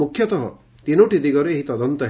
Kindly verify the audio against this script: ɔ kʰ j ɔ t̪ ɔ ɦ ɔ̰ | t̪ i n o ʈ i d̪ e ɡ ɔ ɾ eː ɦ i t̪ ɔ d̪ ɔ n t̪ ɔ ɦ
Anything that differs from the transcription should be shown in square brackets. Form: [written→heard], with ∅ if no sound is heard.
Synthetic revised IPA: [ɔ→u] kʰ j ɔ t̪ ɔ ɦ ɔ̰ | t̪ i n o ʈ i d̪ [e→i] ɡ ɔ ɾ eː ɦ i t̪ ɔ d̪ ɔ n t̪ ɔ ɦ